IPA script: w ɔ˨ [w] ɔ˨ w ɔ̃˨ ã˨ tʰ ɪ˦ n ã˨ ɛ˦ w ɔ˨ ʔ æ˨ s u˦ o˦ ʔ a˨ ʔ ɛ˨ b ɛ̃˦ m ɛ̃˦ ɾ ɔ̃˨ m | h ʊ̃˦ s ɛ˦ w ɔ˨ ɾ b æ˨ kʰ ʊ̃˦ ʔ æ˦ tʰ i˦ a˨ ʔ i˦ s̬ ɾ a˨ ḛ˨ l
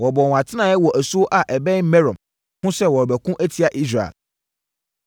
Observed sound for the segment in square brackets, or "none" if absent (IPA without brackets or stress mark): b